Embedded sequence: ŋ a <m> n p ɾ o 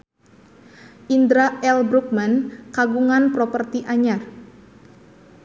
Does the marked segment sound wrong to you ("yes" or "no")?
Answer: yes